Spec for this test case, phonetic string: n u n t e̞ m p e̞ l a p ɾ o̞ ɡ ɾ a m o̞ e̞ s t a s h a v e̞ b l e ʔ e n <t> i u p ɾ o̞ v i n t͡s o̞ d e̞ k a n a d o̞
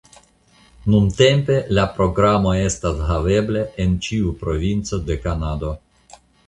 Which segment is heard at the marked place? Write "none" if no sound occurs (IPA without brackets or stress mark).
t͡ʃ